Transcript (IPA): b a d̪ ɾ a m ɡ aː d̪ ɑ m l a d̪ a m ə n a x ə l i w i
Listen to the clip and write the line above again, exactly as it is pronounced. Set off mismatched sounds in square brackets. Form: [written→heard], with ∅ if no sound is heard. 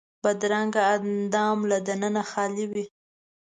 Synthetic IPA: b a d̪ ɾ a [m→ŋ] ɡ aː d̪ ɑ m l a d̪ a [m→n] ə n a x [ə→ɑ] l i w i